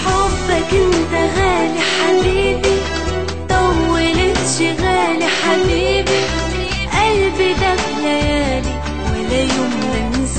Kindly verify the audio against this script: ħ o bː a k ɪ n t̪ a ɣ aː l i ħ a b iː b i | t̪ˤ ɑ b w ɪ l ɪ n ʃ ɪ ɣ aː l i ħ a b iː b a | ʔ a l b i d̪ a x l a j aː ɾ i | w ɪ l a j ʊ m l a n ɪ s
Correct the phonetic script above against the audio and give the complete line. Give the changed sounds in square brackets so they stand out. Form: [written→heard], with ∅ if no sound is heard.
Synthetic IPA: ħ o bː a k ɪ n t̪ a ɣ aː l i ħ a b iː b i | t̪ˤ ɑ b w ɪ l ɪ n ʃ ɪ ɣ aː l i ħ a b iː b [a→i] | ʔ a l b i d̪ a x l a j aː [ɾ→l] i | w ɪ l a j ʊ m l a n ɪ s